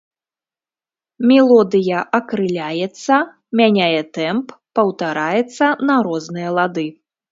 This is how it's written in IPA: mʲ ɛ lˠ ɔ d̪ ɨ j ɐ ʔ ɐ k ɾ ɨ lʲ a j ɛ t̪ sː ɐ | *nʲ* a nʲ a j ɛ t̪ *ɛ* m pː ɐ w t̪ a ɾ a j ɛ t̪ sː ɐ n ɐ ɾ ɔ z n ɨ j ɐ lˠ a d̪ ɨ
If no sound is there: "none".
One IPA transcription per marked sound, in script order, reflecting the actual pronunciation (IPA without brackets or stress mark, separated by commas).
mʲ, ɛ